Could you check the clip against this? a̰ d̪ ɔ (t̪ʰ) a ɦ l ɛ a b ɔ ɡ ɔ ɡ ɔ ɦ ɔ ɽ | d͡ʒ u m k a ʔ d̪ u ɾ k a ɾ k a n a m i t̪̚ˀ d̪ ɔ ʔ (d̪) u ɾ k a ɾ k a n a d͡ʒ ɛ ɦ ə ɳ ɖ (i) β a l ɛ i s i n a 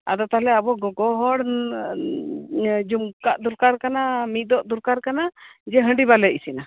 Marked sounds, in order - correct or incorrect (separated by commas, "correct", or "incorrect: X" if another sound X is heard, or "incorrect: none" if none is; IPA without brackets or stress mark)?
incorrect: t̪, correct, correct